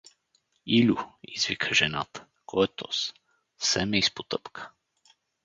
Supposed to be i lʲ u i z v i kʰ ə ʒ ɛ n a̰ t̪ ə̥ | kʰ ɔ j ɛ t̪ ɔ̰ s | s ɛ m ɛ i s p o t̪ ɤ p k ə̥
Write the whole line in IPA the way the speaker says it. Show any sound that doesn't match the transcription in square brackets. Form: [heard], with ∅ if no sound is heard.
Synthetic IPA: i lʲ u i z v i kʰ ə ʒ ɛ n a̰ t̪ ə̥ | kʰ ɔ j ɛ t̪ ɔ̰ s | s ɛ m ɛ i s p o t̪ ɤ p k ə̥